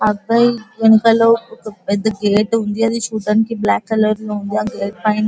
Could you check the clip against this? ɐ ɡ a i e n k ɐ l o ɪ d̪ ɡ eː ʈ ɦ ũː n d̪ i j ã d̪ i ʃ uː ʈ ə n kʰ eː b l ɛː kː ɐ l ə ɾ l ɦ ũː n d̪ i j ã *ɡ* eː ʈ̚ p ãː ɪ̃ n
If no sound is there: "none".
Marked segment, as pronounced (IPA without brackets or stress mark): ɡ